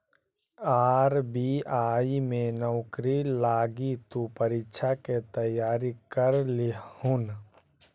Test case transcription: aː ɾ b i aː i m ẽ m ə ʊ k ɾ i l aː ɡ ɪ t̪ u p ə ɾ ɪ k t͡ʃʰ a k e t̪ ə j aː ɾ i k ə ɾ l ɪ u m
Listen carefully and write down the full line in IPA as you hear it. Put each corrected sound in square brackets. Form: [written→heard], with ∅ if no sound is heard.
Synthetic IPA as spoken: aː ɾ b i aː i m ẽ [m→n] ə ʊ k ɾ i l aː ɡ [ɪ→i] t̪ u p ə ɾ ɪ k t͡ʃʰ a k e t̪ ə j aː ɾ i k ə ɾ l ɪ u [m→n]